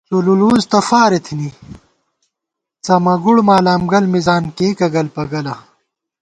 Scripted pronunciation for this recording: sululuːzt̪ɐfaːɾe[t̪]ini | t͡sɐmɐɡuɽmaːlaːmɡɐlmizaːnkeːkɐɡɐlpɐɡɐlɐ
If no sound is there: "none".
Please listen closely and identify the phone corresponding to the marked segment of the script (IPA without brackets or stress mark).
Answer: t̪ʰ